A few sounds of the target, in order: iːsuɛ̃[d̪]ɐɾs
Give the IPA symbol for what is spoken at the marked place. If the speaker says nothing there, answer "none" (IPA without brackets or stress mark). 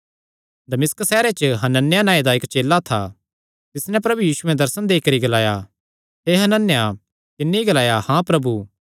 d̪